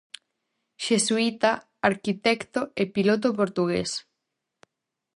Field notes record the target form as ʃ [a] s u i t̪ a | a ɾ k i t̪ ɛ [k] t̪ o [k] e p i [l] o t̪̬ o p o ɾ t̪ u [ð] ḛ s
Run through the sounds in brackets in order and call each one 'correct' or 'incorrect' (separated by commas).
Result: incorrect, correct, incorrect, correct, incorrect